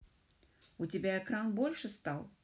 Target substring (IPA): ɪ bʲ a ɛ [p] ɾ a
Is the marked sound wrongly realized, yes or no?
yes